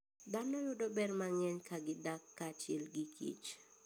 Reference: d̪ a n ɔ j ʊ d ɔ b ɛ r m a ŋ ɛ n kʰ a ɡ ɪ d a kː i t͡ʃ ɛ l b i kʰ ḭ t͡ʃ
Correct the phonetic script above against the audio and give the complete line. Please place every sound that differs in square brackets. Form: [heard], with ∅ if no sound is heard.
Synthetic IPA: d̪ a n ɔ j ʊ d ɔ b ɛ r m a ŋ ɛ [ɲ] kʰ a ɡ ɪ d a kː [a] t͡ʃ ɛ l [ɡ] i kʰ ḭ t͡ʃ